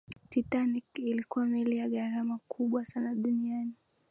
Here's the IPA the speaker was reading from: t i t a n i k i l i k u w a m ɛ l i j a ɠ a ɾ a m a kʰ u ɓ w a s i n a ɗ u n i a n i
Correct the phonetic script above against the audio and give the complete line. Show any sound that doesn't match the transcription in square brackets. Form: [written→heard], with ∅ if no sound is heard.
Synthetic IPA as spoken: t i t a n i k i l i k u w a m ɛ l i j a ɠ a ɾ a m a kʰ u ɓ w a s [i→a] n a ɗ u n i a n i